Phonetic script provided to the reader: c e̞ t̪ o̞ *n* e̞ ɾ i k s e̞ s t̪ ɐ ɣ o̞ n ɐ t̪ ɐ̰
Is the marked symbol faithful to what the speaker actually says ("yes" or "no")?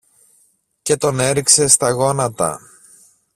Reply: yes